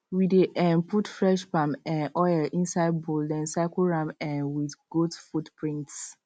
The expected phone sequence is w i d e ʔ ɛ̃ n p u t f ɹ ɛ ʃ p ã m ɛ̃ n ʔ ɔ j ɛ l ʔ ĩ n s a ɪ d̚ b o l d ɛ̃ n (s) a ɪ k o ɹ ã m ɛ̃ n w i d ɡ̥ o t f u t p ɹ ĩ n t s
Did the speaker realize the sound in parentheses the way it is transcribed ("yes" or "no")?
yes